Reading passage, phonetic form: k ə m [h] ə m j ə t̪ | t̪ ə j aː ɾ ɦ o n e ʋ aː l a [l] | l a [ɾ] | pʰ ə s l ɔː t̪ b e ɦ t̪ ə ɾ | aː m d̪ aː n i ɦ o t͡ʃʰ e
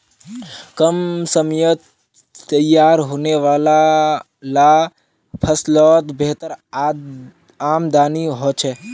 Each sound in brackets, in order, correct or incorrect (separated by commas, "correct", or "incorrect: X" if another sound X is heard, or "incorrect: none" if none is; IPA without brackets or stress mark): incorrect: s, incorrect: none, incorrect: none